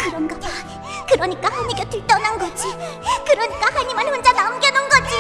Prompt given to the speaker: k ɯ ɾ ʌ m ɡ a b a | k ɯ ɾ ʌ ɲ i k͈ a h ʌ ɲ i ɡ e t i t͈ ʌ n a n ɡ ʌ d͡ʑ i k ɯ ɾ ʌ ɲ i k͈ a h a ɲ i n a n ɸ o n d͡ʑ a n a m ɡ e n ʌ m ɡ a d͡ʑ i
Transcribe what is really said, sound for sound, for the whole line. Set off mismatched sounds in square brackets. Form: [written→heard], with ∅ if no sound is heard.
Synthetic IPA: k ɯ ɾ ʌ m ɡ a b a | k ɯ ɾ ʌ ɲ i k͈ a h [ʌ→a] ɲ i ɡ e t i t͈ ʌ n a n ɡ ʌ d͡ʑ i k ɯ ɾ ʌ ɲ i k͈ a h a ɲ i [n→m] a n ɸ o n d͡ʑ a n a m ɡ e n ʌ [m→n] ɡ [a→ʌ] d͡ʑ i